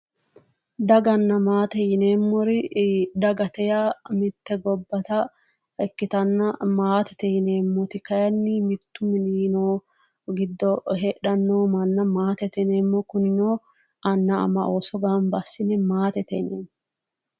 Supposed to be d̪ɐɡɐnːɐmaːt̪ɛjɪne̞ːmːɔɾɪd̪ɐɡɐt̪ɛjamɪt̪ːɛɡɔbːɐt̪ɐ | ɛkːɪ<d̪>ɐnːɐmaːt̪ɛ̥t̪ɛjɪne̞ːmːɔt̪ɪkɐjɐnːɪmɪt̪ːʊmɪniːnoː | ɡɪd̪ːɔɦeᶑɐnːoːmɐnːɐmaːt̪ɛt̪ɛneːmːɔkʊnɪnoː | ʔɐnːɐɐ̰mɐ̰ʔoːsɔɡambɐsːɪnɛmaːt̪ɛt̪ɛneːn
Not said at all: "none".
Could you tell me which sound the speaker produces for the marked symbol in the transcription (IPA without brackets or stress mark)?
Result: t̪